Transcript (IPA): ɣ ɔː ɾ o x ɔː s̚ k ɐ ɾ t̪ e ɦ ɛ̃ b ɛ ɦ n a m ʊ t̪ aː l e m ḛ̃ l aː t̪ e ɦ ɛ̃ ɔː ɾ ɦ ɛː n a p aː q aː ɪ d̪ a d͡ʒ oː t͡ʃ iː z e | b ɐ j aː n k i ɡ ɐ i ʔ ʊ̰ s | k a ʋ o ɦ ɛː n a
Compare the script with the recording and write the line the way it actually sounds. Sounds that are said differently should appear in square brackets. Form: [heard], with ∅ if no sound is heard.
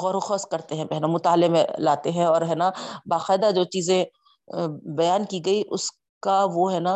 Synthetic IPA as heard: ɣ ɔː ɾ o x ɔː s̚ k ɐ ɾ t̪ e ɦ ɛ̃ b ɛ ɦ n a m ʊ t̪ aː l e m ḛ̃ l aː t̪ e ɦ ɛ̃ ɔː ɾ ɦ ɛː n a [b] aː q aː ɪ d̪ a d͡ʒ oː t͡ʃ iː z [ẽ] | b ɐ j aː n k i ɡ ɐ i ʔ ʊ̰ s | k a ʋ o ɦ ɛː n a